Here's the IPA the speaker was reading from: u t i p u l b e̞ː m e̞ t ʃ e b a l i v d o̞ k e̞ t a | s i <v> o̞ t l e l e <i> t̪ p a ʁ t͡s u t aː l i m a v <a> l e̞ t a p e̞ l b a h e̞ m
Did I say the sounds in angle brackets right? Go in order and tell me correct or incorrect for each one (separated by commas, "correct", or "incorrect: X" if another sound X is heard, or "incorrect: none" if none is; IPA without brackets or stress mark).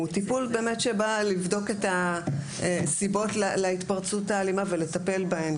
incorrect: b, correct, incorrect: e